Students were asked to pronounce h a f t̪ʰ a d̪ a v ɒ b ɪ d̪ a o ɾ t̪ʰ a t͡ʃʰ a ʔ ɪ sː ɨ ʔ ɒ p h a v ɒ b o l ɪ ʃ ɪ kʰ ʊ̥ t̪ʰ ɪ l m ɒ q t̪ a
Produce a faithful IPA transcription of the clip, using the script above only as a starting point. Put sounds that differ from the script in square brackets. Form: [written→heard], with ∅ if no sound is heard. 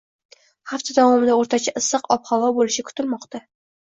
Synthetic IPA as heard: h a f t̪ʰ a d̪ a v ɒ [b→m] ɪ d̪ a o ɾ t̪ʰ a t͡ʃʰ a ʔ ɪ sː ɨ [ʔ→q] ɒ p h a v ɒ b o l ɪ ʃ ɪ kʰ ʊ̥ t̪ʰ ɪ l m ɒ q t̪ a